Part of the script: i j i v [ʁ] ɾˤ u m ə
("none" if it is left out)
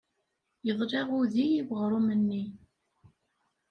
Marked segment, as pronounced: ʁ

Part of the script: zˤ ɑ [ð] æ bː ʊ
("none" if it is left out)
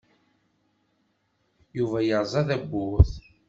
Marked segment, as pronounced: ð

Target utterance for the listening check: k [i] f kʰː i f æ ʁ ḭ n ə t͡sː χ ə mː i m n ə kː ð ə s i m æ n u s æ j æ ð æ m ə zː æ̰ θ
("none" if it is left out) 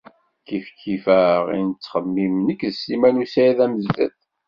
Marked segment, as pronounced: i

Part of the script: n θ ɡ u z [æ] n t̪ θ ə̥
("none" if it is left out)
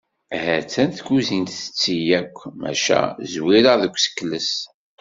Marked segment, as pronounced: i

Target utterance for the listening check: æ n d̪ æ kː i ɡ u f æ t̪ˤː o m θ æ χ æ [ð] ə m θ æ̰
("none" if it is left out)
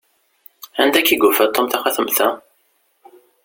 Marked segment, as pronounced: θ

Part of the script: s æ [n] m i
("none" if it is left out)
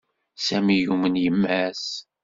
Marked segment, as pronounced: none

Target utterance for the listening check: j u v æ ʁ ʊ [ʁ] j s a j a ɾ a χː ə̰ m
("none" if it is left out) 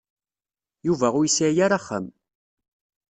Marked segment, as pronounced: none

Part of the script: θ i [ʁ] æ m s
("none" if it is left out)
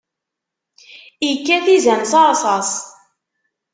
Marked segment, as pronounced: z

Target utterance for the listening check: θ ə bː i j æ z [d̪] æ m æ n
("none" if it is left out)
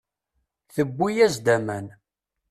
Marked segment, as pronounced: d̪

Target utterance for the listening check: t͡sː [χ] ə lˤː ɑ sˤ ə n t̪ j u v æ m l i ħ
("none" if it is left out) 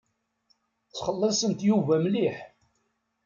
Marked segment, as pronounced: χ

